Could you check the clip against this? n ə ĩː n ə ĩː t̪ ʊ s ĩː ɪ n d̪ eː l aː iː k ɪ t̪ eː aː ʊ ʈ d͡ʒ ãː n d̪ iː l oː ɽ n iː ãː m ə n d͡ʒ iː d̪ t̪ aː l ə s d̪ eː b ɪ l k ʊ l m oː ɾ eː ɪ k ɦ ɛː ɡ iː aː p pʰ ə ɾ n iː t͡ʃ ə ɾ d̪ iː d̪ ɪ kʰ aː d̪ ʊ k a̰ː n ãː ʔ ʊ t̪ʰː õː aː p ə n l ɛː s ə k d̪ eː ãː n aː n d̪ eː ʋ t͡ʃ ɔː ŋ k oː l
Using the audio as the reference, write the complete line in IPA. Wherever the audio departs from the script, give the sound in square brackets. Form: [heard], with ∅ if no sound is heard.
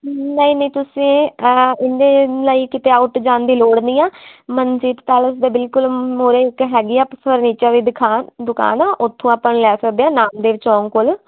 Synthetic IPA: n ə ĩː n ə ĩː t̪ ʊ s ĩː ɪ n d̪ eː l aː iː k ɪ t̪ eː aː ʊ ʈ d͡ʒ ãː n d̪ iː l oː ɽ n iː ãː m ə n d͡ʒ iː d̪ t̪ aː l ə s d̪ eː b ɪ l k ʊ l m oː ɾ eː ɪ k ɦ ɛː ɡ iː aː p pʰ ə ɾ n iː t͡ʃ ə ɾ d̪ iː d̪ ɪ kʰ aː d̪ ʊ k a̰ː n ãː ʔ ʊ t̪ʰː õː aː p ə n l ɛː s ə k d̪ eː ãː n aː [m] d̪ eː ʋ t͡ʃ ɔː ŋ k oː l